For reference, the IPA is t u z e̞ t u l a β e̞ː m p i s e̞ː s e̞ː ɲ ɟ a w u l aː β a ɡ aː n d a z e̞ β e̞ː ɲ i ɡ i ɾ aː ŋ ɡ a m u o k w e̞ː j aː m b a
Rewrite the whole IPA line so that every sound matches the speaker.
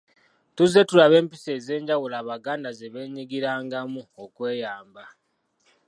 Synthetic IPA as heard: t u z e̞ t u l a β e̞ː m p i s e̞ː z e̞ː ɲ ɟ a w u l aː β a ɡ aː n d a z e̞ β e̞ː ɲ i ɡ i ɾ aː ŋ ɡ a m u o k w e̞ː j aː m b a